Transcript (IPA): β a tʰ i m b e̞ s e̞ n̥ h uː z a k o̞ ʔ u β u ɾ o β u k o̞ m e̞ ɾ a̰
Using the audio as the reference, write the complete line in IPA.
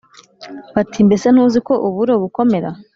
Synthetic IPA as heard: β a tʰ i m b e̞ s e̞ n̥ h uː z i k o̞ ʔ u β u ɾ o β u k o̞ m e̞ ɾ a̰